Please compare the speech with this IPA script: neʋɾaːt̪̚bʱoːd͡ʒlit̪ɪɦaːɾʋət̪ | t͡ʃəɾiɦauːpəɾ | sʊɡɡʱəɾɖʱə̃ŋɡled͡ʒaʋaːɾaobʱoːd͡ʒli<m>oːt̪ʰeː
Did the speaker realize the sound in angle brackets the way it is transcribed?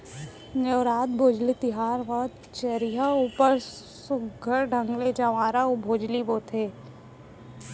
no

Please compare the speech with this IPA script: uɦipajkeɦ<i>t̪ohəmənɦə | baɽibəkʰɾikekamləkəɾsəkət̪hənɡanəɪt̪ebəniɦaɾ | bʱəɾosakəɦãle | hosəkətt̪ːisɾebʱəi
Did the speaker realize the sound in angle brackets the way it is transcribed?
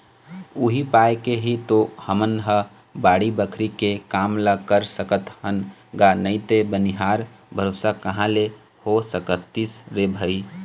yes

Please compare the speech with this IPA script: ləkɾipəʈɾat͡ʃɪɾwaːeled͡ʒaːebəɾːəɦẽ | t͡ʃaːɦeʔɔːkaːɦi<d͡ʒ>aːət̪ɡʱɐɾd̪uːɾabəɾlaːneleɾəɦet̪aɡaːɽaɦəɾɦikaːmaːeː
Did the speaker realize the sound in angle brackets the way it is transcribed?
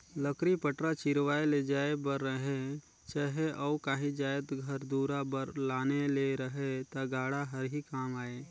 yes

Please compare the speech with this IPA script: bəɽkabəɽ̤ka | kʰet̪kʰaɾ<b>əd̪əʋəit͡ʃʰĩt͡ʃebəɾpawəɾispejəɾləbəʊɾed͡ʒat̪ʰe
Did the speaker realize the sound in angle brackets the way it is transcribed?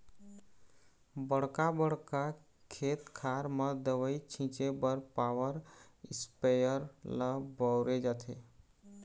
no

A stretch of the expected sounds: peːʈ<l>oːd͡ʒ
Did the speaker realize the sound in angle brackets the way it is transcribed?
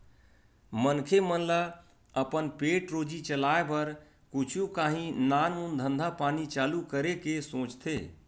no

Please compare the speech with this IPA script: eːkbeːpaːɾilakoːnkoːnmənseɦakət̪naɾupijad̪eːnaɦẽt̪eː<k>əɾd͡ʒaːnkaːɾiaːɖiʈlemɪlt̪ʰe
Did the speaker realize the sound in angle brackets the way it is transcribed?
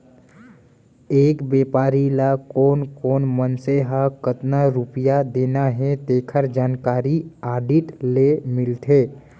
no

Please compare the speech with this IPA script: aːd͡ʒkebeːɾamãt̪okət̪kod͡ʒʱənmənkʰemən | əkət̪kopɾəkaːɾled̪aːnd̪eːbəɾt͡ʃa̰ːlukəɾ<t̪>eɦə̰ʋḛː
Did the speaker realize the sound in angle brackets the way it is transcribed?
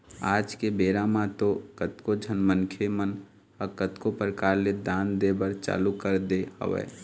no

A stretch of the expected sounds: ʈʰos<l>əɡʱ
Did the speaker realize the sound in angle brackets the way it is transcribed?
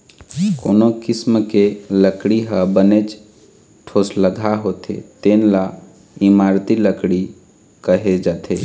yes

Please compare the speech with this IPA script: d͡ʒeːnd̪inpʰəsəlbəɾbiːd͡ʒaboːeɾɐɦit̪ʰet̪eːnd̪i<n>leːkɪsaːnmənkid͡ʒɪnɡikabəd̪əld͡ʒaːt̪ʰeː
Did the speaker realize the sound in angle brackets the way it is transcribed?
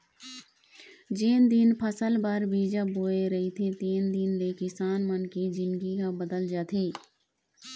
yes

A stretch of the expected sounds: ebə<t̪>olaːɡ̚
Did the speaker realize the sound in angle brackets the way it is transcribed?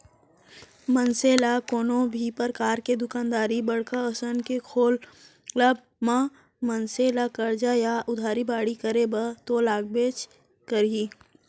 yes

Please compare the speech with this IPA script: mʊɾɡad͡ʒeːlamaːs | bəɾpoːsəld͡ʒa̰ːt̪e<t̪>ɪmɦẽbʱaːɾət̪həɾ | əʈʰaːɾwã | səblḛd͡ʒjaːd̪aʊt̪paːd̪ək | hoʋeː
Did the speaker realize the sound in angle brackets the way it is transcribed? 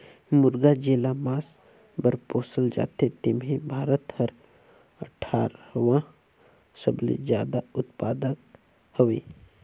yes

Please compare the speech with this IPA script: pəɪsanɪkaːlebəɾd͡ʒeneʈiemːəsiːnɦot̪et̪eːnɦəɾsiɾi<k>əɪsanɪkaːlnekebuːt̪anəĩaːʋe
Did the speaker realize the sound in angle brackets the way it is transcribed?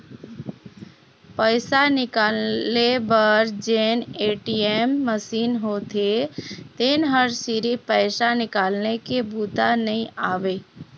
no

